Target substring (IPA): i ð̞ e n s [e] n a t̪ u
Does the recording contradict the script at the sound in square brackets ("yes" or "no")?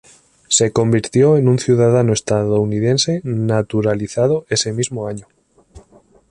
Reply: no